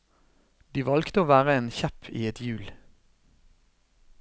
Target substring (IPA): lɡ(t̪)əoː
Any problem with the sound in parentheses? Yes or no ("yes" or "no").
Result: no